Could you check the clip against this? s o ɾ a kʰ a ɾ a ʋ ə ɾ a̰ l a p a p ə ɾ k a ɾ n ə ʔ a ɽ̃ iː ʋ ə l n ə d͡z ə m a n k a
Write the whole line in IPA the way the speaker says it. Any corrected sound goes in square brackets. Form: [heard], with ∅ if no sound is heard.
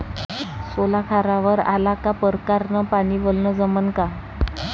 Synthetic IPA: s o [l] a kʰ a ɾ a ʋ ə ɾ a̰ l a [k] a p ə ɾ k a ɾ n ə [p] a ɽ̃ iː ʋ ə l n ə d͡z ə m [ə] n k a